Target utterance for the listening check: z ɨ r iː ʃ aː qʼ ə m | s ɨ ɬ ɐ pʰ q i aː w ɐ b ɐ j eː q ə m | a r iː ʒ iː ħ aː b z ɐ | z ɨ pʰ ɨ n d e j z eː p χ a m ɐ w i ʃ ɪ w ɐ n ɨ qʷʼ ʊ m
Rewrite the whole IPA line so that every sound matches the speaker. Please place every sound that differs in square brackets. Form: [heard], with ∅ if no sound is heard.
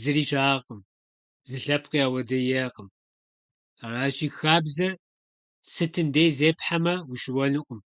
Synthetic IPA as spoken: z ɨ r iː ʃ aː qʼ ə m | [z] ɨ ɬ ɐ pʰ q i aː w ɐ [d] ɐ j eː q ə m | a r [aː] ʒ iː [x] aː b z ɐ | [s] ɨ [tʰ] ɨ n d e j z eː p [ħ] a m ɐ w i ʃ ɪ w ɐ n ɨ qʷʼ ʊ m